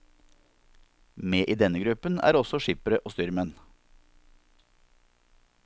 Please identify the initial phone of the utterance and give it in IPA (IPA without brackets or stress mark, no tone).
m